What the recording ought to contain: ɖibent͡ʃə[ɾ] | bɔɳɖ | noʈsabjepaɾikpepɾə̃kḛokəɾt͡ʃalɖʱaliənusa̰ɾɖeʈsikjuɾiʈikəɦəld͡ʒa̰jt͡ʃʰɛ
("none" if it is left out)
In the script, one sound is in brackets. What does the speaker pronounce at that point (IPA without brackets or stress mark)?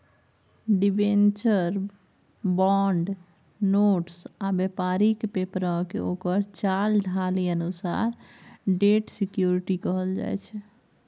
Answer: ɾ